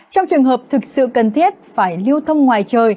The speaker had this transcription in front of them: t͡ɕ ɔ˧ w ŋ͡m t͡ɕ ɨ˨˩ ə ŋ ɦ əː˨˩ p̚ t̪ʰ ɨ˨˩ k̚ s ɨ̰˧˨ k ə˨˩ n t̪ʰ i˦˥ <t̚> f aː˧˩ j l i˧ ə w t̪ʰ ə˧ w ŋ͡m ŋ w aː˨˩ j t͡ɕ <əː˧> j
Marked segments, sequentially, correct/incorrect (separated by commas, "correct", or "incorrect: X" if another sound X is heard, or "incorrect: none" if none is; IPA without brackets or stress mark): correct, incorrect: əː˨˩